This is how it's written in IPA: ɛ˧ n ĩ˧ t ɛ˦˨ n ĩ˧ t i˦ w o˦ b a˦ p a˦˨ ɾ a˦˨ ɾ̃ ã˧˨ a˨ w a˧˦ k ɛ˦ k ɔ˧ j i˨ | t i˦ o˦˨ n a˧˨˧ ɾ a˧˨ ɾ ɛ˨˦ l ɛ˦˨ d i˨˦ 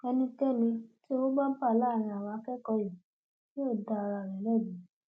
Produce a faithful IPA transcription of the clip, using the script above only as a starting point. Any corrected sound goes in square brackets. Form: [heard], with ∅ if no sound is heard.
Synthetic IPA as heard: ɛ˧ n ĩ˧ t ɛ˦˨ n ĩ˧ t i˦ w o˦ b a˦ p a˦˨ [l] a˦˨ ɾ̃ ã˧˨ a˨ w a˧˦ k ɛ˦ k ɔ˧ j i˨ | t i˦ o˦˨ [d] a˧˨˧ ɾ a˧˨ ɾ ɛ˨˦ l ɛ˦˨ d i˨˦